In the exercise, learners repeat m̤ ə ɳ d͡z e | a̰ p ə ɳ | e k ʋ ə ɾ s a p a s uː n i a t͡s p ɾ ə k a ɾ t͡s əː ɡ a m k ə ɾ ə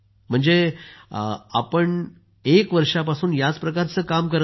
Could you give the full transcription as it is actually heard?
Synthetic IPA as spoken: m̤ ə ɳ d͡z e | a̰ p ə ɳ | e k ʋ ə ɾ ʂ a p a s uː n j a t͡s p ɾ ə k a ɾ t͡s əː k a m k ə ɾ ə